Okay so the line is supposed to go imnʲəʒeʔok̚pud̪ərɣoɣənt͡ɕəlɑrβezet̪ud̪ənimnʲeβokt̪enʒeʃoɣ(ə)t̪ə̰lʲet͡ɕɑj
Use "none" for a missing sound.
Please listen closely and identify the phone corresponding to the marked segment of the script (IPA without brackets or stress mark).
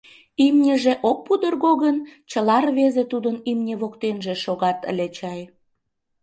ɑ